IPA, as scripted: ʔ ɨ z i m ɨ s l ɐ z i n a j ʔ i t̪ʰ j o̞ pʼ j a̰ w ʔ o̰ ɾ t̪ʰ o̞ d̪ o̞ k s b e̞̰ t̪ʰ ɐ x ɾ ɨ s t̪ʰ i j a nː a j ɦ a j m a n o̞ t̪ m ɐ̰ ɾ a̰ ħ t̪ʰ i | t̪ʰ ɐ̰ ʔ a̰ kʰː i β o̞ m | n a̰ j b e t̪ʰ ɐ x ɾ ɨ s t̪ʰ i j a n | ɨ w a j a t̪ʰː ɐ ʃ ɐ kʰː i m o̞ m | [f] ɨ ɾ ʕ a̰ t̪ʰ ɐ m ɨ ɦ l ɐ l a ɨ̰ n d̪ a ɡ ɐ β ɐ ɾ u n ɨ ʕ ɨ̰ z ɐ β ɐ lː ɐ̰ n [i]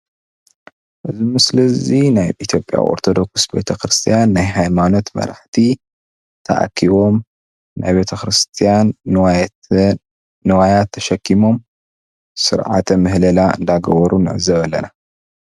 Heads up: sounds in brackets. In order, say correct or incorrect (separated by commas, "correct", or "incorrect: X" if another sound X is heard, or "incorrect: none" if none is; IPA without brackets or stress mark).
incorrect: s, incorrect: a